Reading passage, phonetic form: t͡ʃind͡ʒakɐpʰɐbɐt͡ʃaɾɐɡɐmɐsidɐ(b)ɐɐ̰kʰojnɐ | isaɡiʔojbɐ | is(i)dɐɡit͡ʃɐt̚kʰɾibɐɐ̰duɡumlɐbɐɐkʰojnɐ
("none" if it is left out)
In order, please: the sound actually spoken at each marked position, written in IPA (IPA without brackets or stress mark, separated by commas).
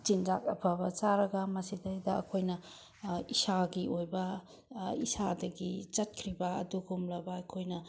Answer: d, a